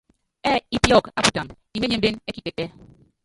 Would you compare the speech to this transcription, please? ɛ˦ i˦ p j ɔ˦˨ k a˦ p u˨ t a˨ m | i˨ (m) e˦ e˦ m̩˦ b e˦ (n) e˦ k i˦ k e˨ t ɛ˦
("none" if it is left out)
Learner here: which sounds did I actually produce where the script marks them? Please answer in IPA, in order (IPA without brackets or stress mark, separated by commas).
m, n